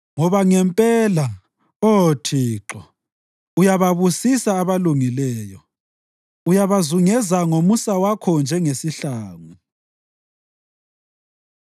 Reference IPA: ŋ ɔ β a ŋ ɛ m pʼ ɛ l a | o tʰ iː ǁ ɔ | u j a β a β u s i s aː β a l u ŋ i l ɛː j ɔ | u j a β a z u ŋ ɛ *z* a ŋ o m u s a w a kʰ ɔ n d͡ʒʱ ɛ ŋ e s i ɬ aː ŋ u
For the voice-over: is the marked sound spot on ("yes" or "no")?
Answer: yes